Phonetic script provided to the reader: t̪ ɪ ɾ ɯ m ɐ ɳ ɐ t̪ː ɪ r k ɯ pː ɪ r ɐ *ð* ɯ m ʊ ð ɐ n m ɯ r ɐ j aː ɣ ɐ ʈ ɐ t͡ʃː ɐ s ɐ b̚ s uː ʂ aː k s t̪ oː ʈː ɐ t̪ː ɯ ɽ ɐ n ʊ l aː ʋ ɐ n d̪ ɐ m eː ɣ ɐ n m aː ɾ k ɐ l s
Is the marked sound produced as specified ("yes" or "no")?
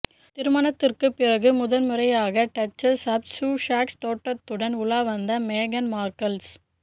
no